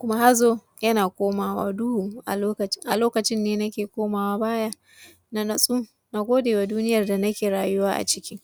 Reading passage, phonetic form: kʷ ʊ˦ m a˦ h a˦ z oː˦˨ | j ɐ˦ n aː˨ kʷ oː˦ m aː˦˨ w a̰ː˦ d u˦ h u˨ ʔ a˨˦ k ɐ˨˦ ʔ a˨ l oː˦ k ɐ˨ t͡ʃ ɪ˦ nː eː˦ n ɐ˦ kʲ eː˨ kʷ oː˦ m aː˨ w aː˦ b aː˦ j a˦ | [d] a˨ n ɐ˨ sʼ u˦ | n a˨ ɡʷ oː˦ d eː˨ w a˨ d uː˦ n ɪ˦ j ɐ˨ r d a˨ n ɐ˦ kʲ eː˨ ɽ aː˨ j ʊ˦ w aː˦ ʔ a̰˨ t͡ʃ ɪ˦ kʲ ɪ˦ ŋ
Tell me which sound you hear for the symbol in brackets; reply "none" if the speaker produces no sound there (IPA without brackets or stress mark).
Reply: n